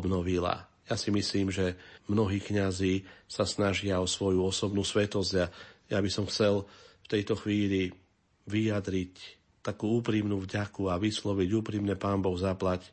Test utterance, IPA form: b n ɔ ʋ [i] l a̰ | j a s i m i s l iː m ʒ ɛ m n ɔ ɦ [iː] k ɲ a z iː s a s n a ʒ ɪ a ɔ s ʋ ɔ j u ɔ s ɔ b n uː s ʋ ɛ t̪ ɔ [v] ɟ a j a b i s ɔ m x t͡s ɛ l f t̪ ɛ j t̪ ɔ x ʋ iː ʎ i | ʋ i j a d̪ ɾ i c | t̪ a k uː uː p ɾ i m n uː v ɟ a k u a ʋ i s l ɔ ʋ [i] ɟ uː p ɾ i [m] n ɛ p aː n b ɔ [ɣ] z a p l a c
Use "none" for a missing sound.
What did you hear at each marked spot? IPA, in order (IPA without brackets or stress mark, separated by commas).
i, iː, z, i, m, ɣ